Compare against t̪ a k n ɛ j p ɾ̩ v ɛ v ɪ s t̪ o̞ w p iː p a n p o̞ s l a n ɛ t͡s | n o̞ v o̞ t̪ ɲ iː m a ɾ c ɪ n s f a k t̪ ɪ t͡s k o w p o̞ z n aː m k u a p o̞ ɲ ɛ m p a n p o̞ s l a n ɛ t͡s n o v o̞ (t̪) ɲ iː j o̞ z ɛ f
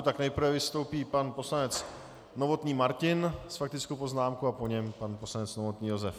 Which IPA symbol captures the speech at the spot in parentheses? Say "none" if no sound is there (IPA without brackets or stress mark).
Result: t̪